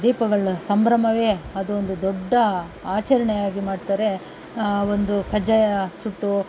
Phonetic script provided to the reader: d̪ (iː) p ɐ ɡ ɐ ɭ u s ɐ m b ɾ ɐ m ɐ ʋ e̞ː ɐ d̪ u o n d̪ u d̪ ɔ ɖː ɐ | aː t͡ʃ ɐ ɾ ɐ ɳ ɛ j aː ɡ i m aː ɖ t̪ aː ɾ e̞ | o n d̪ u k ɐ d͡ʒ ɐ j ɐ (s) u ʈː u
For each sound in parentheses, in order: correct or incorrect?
correct, correct

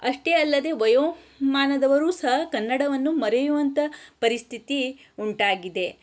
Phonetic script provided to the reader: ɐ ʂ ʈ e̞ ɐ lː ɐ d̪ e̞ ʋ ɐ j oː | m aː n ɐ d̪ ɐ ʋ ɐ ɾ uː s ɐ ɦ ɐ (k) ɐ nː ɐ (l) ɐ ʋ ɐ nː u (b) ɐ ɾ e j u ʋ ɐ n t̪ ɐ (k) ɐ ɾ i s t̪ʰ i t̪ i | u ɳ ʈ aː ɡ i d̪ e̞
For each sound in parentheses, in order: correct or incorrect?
correct, incorrect: ɽ, incorrect: m, incorrect: p

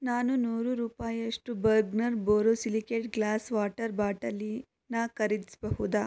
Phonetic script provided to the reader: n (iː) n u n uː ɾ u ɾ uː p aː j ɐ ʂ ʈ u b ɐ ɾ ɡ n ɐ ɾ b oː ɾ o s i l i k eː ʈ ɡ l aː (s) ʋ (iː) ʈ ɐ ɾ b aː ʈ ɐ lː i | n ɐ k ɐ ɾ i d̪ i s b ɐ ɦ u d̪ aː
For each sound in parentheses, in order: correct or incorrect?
incorrect: aː, correct, incorrect: aː

